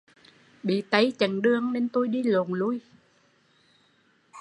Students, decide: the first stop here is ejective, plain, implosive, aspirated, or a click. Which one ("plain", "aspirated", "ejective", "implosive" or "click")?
implosive